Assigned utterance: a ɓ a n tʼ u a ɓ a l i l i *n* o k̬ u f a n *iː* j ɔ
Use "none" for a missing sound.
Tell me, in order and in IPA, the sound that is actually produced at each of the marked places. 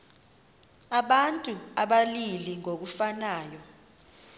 ŋ, aː

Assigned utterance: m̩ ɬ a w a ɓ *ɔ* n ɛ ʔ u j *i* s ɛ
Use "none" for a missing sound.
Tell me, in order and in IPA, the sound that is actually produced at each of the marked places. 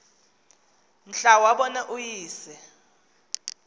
ɔ, iː

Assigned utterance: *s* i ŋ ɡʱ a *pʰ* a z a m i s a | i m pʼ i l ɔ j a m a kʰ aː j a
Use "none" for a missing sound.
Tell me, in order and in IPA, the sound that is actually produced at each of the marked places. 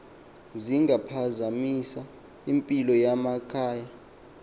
z, pʰ

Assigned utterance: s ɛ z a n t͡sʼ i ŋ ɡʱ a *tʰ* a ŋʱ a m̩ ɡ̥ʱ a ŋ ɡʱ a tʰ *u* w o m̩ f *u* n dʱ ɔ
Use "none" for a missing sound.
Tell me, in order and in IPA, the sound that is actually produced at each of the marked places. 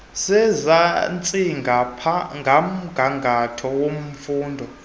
pʰ, ɔ, uː

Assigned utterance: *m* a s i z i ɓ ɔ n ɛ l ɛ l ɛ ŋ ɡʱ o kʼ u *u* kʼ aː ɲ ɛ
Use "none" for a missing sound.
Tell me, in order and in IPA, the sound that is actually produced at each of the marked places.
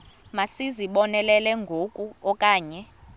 m, ɔ

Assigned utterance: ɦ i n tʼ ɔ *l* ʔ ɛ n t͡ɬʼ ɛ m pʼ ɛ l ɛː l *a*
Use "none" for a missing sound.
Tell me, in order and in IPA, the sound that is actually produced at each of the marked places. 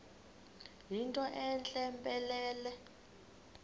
none, ɛ

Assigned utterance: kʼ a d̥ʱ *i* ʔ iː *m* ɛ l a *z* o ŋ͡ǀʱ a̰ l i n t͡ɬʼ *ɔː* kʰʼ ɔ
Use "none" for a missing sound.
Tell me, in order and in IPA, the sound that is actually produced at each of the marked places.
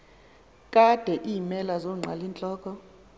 ɛ, m, z, ɔː

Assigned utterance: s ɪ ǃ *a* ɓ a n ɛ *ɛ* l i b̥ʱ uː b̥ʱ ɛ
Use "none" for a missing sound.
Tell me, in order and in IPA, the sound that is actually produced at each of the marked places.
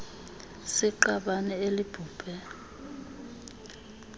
a, e

